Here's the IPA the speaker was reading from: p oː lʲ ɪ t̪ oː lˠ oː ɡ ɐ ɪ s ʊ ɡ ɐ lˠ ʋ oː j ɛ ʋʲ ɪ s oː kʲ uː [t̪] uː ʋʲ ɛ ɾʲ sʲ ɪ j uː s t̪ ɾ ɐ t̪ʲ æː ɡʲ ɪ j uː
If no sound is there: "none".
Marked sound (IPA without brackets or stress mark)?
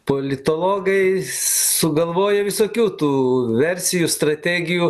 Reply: t̪